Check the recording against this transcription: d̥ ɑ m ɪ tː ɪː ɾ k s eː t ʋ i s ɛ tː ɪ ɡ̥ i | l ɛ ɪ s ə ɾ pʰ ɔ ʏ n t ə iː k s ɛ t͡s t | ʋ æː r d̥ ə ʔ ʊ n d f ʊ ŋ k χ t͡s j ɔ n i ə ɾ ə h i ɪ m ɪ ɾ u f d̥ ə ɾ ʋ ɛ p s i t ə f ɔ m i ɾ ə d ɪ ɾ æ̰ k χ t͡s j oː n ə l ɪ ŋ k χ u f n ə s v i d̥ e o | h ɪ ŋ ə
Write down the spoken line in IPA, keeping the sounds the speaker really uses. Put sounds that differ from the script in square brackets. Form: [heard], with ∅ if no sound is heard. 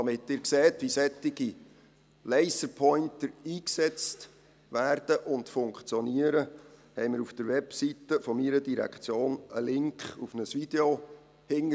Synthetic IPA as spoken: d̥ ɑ m ɪ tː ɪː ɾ k s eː t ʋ i s ɛ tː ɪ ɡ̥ i | l ɛ ɪ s ə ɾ pʰ ɔ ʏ n t ə iː k s ɛ t͡s t | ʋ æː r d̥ ə ʔ ʊ n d f ʊ ŋ k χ t͡s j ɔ n i ə ɾ ə h [ɛ] ɪ m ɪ ɾ u f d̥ ə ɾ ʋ ɛ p s i t ə f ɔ m i ɾ ə d [i] ɾ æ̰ k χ t͡s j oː n ə l ɪ ŋ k χ u f n ə s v i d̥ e o | h ɪ ŋ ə